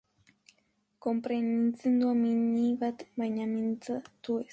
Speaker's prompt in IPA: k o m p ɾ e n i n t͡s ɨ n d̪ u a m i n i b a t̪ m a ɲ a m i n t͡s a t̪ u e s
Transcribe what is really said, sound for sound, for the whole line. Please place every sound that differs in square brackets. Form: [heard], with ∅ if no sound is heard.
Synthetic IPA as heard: k o m p ɾ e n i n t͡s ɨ n d̪ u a m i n i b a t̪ m a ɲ a m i n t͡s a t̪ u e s